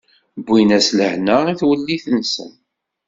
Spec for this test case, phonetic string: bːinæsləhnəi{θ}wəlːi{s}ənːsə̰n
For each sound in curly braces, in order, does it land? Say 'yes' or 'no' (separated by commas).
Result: yes, no